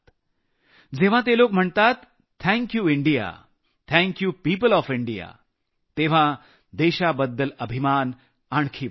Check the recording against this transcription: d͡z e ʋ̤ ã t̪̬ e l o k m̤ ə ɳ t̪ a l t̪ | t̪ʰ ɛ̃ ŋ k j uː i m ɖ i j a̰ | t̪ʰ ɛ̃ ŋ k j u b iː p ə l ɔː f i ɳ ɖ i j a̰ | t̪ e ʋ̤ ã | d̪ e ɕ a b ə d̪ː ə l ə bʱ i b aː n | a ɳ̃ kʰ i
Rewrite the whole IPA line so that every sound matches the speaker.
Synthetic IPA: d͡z e ʋ̤ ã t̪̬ e l o k m̤ ə ɳ t̪ a t̪ | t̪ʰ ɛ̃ ŋ k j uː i ɳ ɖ i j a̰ | t̪ʰ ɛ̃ ŋ k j u p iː p ə l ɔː f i ɳ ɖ i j a̰ | t̪ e ʋ̤ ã | d̪ e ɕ a b ə d̪ː ə l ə bʱ i m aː n | a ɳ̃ kʰ i